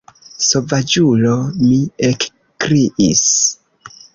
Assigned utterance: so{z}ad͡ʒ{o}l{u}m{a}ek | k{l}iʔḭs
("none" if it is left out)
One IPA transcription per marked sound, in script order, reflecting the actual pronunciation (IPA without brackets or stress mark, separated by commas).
v, u, o, i, ɾ